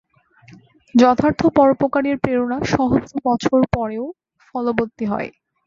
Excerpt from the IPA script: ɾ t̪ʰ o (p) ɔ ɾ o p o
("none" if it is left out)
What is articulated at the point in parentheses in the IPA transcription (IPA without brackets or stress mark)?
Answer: p